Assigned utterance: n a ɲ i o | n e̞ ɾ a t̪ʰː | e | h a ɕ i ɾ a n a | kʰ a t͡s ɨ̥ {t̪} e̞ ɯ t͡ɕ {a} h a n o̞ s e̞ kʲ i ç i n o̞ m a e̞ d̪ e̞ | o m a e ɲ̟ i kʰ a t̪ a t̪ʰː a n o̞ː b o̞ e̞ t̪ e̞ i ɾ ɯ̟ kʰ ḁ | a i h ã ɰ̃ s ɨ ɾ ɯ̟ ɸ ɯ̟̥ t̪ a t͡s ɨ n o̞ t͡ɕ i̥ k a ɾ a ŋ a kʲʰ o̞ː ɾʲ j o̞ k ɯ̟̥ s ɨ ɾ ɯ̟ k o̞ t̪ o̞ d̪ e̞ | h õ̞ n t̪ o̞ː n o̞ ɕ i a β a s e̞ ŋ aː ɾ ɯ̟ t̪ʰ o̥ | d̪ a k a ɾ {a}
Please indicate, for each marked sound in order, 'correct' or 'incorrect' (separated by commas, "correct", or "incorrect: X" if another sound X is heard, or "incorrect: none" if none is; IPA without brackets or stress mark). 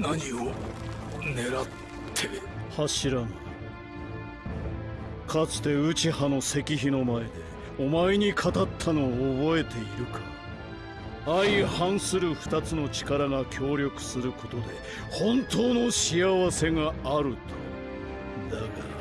correct, incorrect: i, correct